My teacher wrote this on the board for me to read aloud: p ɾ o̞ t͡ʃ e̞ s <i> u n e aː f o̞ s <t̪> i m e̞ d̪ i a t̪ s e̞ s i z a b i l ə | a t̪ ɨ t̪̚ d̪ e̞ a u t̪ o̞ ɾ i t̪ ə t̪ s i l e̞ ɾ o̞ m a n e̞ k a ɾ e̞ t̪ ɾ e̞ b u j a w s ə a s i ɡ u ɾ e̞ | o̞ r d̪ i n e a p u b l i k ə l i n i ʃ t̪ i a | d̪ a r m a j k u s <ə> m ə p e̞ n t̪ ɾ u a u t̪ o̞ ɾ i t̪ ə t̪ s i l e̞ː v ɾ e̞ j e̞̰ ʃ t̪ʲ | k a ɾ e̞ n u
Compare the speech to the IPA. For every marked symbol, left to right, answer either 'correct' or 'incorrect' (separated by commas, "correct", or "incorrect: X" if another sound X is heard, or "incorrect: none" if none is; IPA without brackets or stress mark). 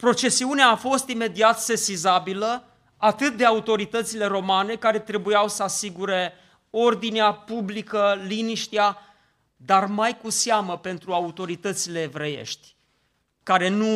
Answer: correct, correct, incorrect: a